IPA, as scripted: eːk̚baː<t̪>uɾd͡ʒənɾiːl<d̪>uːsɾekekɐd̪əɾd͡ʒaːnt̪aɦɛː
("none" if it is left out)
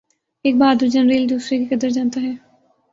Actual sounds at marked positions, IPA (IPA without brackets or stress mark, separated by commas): d̪, d̪